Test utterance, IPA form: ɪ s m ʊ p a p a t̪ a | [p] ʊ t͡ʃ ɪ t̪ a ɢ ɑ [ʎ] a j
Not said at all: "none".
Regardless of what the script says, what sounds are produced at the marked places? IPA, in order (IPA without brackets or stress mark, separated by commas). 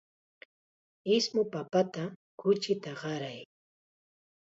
k, ɾ